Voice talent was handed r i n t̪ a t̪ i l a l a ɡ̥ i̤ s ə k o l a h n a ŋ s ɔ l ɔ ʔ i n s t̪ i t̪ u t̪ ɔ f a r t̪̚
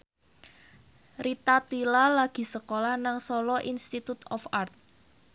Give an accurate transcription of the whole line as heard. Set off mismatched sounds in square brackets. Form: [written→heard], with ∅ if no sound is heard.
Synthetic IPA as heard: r i [n→∅] t̪ a t̪ i l a l a ɡ̥ i̤ s ə k o l a h n a ŋ s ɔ l ɔ ʔ i n s t̪ i t̪ u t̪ ɔ f a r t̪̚